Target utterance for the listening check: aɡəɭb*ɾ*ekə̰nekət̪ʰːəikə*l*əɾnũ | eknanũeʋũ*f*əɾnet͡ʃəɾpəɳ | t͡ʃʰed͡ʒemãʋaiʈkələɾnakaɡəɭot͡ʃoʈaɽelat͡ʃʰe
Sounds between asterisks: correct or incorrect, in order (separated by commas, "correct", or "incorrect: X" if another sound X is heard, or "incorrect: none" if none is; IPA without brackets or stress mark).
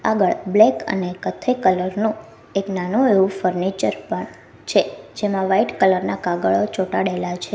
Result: incorrect: l, correct, correct